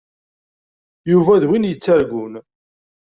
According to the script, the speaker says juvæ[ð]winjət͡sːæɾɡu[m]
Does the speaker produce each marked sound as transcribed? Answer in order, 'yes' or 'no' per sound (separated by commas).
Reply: yes, no